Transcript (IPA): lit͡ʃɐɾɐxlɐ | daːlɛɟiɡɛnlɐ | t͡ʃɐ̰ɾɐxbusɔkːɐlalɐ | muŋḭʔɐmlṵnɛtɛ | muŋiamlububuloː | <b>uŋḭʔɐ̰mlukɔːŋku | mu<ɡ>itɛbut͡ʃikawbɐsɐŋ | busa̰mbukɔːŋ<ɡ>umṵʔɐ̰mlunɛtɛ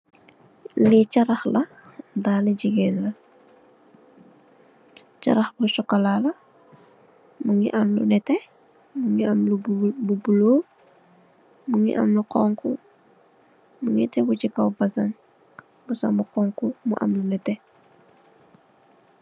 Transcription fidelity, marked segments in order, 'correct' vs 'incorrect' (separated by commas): incorrect, incorrect, incorrect